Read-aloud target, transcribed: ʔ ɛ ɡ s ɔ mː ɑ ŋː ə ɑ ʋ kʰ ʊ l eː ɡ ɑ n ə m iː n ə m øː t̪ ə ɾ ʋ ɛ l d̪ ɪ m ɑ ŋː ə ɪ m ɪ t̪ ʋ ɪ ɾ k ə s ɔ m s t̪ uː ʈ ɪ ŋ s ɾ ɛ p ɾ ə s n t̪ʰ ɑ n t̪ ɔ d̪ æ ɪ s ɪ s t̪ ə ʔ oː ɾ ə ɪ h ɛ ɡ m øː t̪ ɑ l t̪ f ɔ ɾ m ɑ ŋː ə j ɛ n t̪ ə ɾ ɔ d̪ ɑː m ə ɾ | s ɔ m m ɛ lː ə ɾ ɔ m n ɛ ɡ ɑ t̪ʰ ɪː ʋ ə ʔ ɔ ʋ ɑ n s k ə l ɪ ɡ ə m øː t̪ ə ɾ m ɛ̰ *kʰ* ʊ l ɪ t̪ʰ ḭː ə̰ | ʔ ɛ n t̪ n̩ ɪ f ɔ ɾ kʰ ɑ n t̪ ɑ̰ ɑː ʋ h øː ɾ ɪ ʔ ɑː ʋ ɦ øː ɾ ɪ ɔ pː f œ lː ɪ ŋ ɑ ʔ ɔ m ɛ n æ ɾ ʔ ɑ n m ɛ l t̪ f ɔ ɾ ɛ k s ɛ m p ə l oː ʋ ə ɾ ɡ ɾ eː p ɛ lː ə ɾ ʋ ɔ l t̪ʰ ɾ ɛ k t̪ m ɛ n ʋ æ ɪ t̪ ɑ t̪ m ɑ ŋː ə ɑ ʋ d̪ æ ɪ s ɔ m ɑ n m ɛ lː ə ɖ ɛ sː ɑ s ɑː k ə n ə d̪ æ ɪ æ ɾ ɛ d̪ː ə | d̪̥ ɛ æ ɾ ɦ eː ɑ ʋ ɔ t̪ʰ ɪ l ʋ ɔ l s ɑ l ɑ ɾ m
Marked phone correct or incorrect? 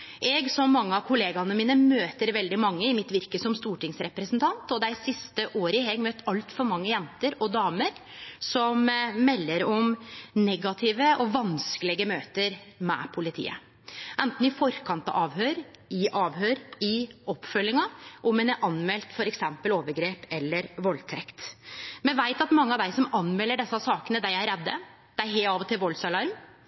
incorrect